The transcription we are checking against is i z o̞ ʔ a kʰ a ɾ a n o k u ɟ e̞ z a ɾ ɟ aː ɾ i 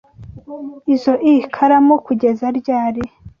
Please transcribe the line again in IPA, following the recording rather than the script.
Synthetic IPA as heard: i z o̞ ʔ i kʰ a ɾ a m o k u ɟ e̞ z a ɾ ɟ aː ɾ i